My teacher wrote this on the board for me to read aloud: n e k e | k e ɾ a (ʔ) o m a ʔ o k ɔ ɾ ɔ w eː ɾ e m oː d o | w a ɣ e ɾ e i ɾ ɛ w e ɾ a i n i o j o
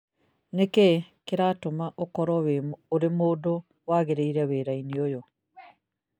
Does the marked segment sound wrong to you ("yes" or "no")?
yes